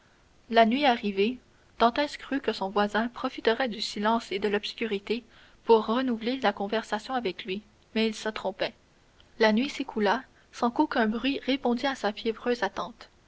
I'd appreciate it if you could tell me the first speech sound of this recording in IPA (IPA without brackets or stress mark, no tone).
l